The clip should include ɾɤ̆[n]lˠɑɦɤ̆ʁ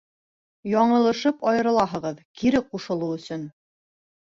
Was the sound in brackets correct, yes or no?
no